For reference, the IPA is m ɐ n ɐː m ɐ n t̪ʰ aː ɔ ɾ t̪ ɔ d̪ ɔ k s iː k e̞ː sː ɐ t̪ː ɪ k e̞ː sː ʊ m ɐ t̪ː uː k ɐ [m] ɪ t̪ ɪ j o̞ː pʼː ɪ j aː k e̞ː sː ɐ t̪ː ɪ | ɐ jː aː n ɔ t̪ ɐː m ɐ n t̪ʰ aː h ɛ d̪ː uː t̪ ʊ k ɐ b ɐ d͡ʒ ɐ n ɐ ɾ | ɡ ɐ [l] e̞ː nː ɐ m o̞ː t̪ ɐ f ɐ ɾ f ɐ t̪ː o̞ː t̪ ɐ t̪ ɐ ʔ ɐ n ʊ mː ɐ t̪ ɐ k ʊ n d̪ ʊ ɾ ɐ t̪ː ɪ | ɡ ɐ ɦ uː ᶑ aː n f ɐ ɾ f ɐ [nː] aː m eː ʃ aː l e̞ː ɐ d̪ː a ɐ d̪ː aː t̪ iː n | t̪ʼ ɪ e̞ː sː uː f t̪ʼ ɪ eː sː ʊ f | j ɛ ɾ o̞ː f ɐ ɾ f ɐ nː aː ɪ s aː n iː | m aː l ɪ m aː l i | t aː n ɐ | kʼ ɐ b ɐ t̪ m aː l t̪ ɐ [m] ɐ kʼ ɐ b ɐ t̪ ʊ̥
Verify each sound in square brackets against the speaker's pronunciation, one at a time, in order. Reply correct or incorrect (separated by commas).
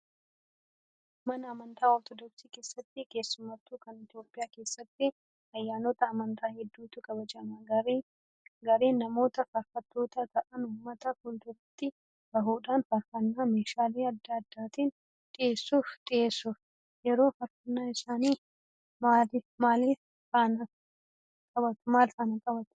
incorrect, incorrect, correct, incorrect